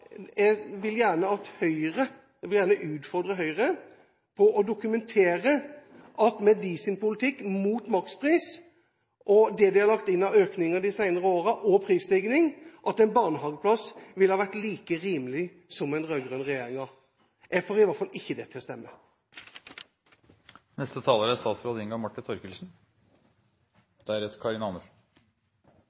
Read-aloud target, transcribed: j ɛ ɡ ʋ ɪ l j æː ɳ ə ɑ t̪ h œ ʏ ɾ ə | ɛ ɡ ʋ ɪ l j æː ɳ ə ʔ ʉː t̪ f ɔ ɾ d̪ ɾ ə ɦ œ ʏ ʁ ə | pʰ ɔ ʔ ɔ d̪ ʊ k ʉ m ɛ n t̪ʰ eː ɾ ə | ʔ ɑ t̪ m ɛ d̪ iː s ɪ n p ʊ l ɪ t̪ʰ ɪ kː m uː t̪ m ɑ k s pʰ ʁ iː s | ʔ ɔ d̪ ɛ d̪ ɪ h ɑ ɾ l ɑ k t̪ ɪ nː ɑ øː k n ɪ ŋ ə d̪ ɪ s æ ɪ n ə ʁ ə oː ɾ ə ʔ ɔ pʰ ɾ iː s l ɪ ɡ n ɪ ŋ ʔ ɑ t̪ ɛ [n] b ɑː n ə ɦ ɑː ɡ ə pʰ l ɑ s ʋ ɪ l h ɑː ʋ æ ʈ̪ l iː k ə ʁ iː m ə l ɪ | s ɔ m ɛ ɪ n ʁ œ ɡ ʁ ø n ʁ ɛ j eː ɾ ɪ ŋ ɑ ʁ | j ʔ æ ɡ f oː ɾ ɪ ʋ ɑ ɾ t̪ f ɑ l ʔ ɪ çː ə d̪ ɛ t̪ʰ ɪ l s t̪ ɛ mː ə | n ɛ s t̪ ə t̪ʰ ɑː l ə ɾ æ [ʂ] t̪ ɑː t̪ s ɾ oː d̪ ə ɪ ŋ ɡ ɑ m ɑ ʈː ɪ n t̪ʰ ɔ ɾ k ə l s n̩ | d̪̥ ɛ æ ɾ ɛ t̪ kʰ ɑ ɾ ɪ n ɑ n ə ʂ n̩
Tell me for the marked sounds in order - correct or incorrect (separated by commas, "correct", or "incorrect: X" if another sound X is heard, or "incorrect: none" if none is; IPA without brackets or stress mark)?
correct, incorrect: s